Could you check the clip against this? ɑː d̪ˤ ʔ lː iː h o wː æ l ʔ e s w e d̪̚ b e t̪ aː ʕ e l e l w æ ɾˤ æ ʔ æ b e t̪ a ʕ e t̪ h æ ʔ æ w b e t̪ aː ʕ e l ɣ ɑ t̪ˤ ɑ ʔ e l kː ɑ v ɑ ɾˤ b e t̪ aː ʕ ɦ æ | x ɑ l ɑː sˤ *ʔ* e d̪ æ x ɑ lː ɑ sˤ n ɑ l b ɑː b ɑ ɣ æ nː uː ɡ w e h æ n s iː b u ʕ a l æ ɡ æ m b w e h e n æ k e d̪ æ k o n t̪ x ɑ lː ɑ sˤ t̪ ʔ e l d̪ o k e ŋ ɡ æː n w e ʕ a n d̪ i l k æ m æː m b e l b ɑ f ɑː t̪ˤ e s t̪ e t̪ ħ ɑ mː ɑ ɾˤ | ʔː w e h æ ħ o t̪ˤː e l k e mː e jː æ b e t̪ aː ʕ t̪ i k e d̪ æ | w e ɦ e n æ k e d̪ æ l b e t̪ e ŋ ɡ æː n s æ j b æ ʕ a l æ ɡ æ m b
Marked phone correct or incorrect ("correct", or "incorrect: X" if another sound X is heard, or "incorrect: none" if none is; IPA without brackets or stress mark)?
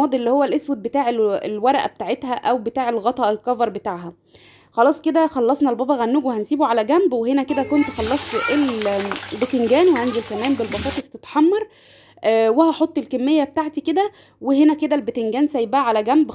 incorrect: k